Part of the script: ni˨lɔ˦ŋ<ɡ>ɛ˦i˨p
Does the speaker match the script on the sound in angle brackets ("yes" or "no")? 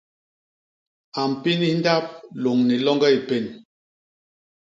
yes